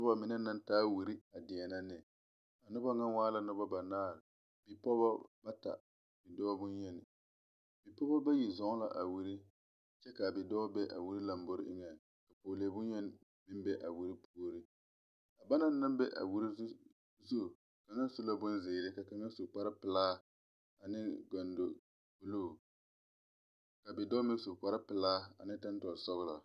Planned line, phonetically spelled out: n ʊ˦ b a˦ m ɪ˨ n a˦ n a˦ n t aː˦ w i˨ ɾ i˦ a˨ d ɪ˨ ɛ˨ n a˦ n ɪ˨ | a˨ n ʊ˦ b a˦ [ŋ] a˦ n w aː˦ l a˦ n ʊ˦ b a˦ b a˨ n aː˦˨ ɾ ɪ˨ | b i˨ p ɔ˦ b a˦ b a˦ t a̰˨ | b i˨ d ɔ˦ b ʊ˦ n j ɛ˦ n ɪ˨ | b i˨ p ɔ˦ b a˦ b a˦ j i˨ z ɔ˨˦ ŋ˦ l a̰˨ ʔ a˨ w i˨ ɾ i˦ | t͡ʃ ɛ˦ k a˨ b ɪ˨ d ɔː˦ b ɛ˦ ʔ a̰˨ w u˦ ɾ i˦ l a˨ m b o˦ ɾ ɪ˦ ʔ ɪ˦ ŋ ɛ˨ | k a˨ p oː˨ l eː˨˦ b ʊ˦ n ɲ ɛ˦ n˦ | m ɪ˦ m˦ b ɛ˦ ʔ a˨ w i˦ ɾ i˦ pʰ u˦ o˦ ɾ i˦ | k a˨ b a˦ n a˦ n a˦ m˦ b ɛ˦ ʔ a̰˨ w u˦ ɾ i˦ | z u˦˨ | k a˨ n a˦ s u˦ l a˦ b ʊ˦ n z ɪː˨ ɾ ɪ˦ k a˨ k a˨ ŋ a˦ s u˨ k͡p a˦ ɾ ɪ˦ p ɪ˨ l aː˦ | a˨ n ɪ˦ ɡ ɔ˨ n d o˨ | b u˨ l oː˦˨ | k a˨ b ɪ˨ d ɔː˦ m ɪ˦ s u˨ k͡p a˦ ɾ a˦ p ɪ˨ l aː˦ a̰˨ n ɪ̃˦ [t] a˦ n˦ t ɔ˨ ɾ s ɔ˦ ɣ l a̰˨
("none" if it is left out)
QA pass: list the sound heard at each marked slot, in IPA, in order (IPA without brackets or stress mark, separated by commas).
ŋ, t